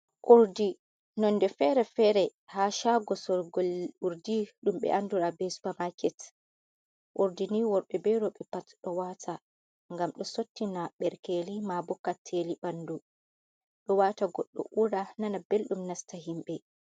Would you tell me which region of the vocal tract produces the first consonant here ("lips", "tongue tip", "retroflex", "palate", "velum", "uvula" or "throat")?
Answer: throat